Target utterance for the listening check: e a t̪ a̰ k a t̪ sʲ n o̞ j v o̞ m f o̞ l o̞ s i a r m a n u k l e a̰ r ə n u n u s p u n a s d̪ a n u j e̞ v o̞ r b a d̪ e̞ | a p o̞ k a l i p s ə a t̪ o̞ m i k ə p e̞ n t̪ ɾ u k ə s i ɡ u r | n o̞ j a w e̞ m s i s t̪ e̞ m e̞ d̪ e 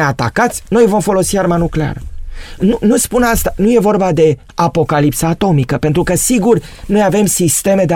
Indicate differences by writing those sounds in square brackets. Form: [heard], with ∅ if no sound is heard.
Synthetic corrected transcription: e a t̪ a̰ k a t̪ sʲ n o̞ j v o̞ m f o̞ l o̞ s i a r m a n u k l e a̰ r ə n u n u s p u n a s [t̪] a n u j e̞ v o̞ r b a d̪ e̞ | a p o̞ k a l i p s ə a t̪ o̞ m i k ə p e̞ n t̪ ɾ u k ə s i ɡ u r | n o̞ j a [v] e̞ m s i s t̪ e̞ m e̞ d̪ e